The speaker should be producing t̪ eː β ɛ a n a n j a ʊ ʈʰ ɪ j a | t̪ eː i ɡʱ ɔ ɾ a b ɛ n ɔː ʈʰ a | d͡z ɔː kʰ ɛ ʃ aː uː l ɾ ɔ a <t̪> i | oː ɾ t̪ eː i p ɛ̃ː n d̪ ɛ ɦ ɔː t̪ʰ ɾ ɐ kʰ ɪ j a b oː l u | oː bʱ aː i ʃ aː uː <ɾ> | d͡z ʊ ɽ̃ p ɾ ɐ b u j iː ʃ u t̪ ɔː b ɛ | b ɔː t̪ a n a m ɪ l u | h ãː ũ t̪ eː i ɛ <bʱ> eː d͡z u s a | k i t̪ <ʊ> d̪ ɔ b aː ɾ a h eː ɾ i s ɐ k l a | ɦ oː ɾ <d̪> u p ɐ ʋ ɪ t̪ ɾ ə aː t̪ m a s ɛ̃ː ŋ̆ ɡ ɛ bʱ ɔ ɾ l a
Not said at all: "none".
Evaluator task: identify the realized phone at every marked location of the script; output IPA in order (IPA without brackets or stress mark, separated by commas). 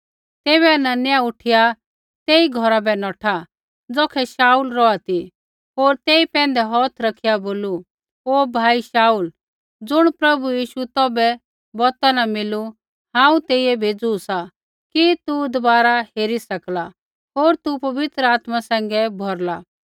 t̪, l, bʱ, u, t̪